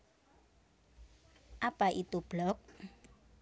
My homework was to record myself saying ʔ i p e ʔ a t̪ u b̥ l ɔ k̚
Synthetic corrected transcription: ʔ a p a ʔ i t̪ u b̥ l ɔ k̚